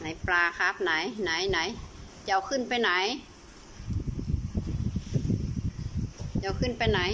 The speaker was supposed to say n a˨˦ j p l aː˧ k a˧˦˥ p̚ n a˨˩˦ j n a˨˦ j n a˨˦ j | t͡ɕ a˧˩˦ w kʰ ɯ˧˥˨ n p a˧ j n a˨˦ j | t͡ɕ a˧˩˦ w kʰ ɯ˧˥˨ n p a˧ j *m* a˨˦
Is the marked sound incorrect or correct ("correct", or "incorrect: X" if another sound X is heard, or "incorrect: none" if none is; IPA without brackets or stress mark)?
incorrect: n